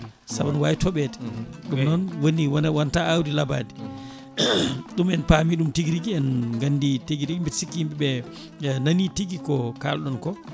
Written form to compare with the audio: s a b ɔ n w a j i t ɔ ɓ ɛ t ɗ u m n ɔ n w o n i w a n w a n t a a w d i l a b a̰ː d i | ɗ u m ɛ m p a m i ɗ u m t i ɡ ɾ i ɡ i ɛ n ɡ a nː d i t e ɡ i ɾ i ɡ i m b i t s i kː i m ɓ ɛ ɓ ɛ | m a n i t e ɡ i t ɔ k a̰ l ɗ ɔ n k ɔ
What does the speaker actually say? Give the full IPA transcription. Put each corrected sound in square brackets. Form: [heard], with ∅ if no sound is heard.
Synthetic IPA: s a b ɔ n w a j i t ɔ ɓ ɛ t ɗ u m n ɔ n w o n i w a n w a n t a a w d i l a b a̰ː d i | ɗ u m ɛ [n] p a m i ɗ u m t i ɡ ɾ i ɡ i ɛ n ɡ a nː d i t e ɡ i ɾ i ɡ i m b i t s i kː i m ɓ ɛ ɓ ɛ | [n] a n i t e ɡ i [k] ɔ k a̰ l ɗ ɔ n k ɔ